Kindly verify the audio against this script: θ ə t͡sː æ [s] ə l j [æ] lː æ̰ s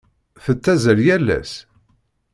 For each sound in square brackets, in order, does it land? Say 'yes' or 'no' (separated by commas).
no, yes